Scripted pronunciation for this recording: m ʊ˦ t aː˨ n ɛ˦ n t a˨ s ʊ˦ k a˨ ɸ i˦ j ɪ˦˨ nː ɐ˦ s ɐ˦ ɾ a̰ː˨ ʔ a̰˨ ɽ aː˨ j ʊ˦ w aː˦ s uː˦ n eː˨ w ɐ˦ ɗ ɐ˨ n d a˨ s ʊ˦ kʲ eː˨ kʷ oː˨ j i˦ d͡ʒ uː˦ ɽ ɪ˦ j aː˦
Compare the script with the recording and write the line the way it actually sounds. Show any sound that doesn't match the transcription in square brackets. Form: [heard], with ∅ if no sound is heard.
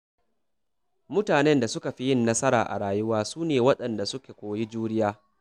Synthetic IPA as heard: m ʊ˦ t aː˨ n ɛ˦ n [d] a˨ s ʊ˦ k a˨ ɸ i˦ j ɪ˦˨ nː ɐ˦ s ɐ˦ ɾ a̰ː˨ ʔ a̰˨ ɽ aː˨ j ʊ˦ w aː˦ s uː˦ n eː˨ w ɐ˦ ɗ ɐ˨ n d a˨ s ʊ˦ kʲ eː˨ kʷ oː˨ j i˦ d͡ʒ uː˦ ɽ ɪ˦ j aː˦